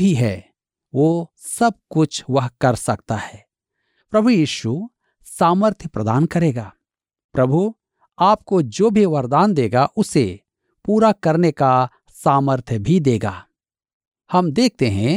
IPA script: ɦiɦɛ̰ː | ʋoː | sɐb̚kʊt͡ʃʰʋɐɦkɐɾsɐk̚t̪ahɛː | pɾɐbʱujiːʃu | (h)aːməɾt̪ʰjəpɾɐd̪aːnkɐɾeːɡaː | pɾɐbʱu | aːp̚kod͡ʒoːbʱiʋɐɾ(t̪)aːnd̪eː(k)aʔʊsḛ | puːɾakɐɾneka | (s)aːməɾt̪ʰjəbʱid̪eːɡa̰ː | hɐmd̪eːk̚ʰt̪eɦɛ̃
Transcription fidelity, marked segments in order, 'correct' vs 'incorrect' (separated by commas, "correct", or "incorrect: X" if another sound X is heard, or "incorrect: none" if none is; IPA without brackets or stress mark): incorrect: s, incorrect: d̪, incorrect: ɡ, correct